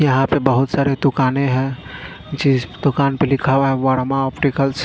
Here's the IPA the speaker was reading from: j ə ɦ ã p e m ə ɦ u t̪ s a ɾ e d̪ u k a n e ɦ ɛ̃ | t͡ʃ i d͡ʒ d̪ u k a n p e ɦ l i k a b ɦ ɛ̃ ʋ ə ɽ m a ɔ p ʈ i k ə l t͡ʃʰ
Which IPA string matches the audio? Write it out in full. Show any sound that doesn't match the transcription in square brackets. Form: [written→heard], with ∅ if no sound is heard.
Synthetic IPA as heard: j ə ɦ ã p e [m→b] ə ɦ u t̪ s a ɾ e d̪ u k a n e ɦ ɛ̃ | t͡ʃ i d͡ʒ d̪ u k a n p e [ɦ→∅] l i [k→kʰ] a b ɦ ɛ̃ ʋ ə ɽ m a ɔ p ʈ i k ə l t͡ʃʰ